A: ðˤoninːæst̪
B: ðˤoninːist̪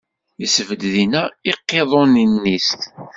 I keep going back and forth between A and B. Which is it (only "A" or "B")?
B